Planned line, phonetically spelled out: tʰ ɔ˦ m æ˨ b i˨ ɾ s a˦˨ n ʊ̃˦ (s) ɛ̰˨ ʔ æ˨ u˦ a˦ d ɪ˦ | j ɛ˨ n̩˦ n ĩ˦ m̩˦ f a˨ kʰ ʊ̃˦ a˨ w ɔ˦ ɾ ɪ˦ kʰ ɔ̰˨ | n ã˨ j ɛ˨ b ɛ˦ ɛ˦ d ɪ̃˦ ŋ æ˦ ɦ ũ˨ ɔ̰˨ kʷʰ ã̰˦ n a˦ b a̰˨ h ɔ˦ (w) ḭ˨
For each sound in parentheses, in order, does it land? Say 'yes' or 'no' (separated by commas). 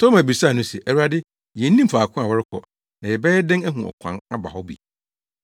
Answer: yes, no